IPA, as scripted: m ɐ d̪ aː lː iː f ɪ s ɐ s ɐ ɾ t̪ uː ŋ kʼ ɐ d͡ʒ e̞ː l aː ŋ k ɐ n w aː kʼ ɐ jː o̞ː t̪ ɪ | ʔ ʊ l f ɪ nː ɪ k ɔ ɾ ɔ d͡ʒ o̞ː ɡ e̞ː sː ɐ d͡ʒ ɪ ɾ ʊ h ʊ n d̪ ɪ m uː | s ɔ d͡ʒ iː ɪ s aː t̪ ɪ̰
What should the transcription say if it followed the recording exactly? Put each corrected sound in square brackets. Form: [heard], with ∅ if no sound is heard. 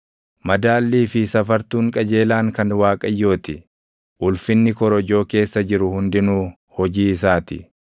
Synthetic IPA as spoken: m ɐ d̪ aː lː iː f ɪ s ɐ [f] ɐ ɾ t̪ uː ŋ kʼ ɐ d͡ʒ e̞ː l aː ŋ k ɐ n w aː kʼ ɐ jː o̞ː t̪ ɪ | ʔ ʊ l f ɪ nː ɪ k ɔ ɾ ɔ d͡ʒ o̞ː [k] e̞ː sː ɐ d͡ʒ ɪ ɾ ʊ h ʊ n d̪ ɪ [n] uː | [h] ɔ d͡ʒ iː ɪ s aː t̪ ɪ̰